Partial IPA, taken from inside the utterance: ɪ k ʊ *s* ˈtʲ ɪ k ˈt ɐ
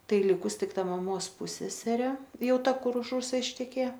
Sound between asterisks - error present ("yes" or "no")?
no